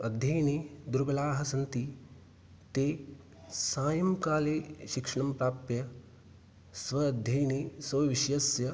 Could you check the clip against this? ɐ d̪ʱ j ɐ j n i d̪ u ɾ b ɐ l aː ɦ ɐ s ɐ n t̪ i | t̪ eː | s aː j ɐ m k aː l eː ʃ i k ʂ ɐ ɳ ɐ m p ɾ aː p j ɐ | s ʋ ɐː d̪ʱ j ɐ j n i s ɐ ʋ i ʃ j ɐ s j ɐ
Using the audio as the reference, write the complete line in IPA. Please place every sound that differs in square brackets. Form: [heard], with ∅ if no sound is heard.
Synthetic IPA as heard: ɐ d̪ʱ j ɐ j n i d̪ u ɾ b ɐ l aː ɦ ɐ s ɐ n t̪ i | t̪ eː | s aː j ɐ m k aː l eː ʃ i k ʂ ɐ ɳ ɐ m p ɾ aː p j ɐ | s ʋ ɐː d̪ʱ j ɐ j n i s ɐ ʋ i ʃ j ɐ s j ɐ